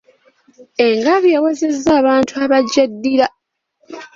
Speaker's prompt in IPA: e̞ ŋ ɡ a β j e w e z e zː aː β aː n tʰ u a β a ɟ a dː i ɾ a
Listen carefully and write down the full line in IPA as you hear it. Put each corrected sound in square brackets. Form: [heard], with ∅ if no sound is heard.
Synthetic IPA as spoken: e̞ ŋ ɡ a β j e w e z e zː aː β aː n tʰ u a β a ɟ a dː i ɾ a